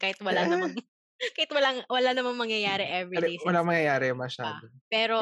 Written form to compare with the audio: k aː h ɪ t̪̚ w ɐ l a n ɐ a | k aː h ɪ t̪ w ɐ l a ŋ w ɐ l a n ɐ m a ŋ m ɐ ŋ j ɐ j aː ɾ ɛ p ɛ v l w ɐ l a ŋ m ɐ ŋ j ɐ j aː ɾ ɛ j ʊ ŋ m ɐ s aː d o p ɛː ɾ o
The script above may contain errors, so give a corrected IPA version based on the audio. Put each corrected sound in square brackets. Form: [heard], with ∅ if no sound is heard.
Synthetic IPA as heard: k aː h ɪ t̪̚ w ɐ l a n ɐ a | k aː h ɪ t̪ w ɐ l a ŋ w ɐ l a n ɐ m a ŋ m ɐ ŋ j ɐ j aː ɾ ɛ [ʔ] ɛ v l w ɐ l a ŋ m ɐ ŋ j ɐ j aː ɾ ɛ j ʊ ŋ m ɐ [ʃ] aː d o p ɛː ɾ o